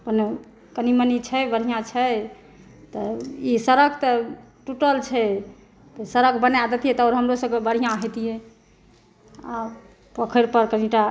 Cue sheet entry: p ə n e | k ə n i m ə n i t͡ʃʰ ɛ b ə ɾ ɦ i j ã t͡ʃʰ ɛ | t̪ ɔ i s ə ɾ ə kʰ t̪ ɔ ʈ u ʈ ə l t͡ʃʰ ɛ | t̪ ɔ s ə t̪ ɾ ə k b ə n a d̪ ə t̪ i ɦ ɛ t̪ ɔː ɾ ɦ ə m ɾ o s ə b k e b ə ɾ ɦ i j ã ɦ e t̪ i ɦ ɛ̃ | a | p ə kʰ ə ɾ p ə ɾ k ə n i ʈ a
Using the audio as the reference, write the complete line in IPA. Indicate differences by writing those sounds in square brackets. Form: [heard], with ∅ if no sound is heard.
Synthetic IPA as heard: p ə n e | k ə n i m ə n i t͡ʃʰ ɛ b ə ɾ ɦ i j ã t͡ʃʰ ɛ | t̪ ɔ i s ə ɾ ə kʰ t̪ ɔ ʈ u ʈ ə l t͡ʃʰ ɛ | t̪ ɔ s ə [∅] ɾ ə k b ə n a d̪ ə t̪ i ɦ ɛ t̪ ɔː ɾ ɦ ə m ɾ o s ə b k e b ə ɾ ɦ i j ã ɦ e t̪ i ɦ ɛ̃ | a | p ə kʰ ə ɾ p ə ɾ k ə n i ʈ a